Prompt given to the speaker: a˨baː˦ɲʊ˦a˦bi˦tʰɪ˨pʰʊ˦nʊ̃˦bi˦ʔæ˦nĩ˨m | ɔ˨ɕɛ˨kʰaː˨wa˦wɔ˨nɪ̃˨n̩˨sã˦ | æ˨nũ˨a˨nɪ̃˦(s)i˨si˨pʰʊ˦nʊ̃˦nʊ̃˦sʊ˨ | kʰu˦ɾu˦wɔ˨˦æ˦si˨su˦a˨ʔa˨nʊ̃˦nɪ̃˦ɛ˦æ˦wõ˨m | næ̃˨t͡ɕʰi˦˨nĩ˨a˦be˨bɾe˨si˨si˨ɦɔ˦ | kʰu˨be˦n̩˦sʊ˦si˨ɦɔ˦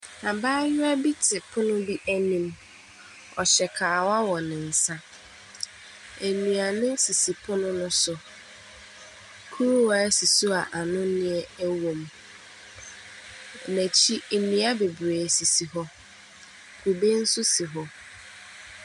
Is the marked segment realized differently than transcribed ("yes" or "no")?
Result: no